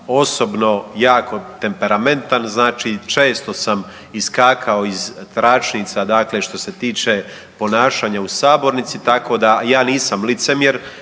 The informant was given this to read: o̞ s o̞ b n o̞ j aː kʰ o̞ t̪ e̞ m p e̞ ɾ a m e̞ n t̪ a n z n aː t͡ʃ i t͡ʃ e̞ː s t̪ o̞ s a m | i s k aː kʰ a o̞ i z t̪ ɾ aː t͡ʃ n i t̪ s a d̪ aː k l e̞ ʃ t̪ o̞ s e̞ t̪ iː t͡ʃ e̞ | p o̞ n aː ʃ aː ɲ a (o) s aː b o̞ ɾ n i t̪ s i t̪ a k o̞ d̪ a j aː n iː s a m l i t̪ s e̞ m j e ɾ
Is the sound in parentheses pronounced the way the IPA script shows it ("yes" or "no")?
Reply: no